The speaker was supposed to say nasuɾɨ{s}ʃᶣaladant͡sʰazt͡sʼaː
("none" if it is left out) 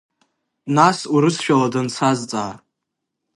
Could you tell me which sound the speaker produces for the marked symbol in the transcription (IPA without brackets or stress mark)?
s